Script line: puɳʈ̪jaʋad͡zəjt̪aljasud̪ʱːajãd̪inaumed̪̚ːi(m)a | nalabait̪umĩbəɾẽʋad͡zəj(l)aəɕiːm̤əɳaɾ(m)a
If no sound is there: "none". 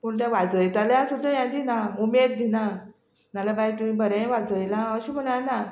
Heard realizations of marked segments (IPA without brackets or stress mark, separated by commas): n, l, n